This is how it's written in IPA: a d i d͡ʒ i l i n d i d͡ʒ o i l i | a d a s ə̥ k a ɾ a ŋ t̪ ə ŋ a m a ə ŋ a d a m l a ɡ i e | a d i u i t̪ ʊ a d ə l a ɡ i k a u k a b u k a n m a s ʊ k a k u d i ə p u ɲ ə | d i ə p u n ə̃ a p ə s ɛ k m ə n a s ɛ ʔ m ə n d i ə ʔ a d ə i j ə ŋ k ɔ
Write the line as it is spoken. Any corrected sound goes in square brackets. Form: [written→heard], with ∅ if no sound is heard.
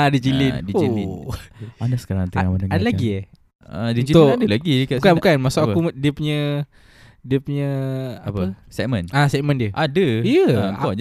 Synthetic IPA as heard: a d i d͡ʒ i l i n d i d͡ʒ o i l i | a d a s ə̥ k a ɾ a ŋ t̪ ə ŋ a m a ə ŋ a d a [m→∅] l a ɡ i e | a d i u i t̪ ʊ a d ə l a ɡ i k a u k a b u k a n m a s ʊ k a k u d i ə p u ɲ ə | d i ə p u [n→ɲ] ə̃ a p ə s ɛ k m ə n a s ɛ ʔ m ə n d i ə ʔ a d ə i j ə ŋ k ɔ